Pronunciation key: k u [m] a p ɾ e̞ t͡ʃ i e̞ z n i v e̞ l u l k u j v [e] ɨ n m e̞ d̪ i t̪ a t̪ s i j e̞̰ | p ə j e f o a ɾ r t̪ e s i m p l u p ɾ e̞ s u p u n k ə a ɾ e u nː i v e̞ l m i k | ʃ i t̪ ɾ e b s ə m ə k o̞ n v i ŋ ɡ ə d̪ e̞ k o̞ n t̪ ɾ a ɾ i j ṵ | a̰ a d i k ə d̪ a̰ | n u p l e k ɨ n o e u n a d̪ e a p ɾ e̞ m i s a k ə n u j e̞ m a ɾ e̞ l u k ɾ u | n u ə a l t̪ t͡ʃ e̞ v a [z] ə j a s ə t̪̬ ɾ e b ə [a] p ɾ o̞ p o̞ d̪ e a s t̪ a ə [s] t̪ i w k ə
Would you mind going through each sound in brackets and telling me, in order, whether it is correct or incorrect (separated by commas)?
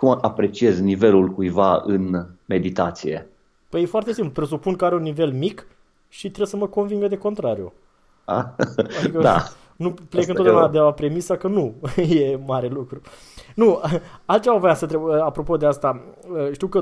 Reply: correct, incorrect, incorrect, correct, incorrect